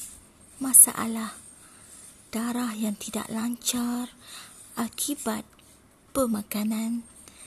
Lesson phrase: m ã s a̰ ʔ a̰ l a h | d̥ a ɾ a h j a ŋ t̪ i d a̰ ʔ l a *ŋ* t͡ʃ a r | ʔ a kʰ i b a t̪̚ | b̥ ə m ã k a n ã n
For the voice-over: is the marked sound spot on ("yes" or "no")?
no